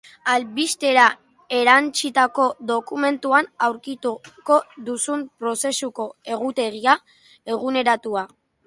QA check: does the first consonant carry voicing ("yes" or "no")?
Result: yes